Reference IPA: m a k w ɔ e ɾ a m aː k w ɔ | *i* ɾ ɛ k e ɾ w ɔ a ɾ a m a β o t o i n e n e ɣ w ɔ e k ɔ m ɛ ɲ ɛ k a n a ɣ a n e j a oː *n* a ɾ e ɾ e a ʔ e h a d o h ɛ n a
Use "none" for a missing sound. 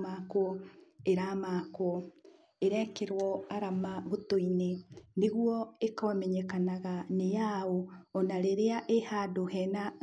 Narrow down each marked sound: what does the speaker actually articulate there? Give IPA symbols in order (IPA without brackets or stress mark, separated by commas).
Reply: e, n